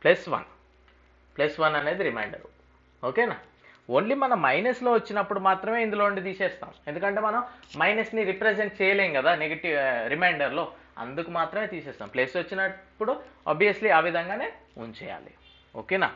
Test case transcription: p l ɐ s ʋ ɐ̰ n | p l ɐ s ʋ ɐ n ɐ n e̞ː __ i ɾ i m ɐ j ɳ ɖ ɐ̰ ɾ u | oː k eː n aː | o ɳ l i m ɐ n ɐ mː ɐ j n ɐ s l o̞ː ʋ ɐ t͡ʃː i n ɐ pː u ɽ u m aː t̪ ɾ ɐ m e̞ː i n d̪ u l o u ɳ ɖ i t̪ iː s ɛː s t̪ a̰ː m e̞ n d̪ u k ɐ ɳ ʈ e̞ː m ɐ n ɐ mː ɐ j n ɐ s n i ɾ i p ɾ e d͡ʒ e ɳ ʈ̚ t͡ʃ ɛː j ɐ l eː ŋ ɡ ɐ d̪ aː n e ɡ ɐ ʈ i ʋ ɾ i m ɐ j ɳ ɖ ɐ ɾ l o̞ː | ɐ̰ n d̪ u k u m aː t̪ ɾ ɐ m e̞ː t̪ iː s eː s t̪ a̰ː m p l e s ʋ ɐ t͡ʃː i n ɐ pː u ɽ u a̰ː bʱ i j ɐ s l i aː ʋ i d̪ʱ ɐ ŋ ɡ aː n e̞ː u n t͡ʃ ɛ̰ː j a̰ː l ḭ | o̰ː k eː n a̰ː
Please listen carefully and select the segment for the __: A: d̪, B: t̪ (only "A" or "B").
A